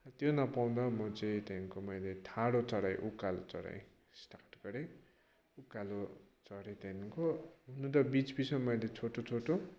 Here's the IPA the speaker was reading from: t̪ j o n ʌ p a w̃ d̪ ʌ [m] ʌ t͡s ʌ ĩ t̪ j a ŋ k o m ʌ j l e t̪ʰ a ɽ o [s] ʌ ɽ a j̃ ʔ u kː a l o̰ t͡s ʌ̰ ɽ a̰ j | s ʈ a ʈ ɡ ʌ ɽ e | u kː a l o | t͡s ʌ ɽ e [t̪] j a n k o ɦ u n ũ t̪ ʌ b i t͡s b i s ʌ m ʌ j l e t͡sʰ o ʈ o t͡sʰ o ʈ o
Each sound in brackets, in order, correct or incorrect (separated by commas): correct, incorrect, correct